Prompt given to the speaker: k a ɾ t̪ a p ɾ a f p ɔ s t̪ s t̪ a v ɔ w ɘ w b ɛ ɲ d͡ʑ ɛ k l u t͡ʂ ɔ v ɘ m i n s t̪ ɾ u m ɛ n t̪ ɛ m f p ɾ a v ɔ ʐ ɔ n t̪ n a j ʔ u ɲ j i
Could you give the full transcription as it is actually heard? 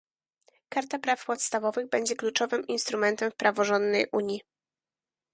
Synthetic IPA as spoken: k a ɾ t̪ a p ɾ a f p ɔ t̪ s t̪ a v ɔ v ɘ ɣ b ɛ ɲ d͡ʑ ɛ k l u t͡ʂ ɔ v ɘ m i n s t̪ ɾ u m ɛ n t̪ ɛ m f p ɾ a v ɔ ʐ ɔ n d̪ n ɛ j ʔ u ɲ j i